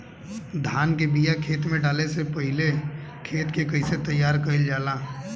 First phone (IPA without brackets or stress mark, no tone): d̪ʱ